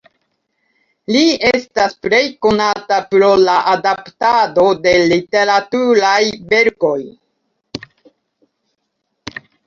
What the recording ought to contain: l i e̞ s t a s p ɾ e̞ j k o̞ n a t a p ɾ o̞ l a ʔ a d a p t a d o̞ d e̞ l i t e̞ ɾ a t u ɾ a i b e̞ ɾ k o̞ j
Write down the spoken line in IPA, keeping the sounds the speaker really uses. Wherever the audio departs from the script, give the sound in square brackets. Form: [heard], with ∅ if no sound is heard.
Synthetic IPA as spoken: l i e̞ s t a s p ɾ e̞ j k o̞ n a t a p ɾ o̞ l a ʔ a d a p t a d o̞ d e̞ l i t e̞ ɾ a t u ɾ a [j] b e̞ ɾ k o̞ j